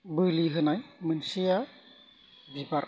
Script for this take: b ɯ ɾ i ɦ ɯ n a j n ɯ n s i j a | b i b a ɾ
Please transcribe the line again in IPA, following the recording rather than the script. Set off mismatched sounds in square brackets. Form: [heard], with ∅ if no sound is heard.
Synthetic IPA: b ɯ [l] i ɦ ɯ n a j [m] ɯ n s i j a | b i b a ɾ